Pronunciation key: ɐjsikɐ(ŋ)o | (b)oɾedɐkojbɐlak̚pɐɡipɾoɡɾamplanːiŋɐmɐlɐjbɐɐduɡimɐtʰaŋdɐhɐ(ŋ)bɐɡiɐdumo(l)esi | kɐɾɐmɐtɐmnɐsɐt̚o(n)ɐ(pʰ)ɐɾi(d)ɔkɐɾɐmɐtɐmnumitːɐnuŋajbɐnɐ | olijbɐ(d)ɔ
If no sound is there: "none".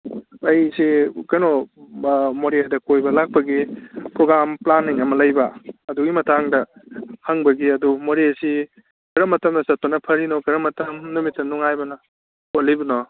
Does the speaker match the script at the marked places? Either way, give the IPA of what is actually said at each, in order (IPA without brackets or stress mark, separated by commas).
n, m, ŋ, ɾ, n, pʰ, n, n